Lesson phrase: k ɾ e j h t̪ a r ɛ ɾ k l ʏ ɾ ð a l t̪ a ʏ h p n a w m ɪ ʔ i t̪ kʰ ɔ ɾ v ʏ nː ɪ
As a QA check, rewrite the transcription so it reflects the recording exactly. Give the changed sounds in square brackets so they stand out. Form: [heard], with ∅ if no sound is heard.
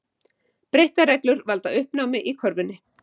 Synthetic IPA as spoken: [p] ɾ e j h t̪ a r ɛ [∅] k l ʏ ɾ [v] a l t̪ a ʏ h p n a w m ɪ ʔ i [∅] kʰ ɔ ɾ v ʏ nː ɪ